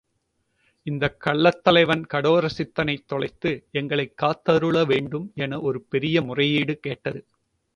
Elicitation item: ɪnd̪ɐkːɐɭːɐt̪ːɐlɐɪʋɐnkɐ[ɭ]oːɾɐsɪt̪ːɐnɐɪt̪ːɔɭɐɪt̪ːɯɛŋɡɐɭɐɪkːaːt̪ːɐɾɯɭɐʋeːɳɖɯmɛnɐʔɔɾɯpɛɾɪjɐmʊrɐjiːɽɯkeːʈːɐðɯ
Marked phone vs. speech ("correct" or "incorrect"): incorrect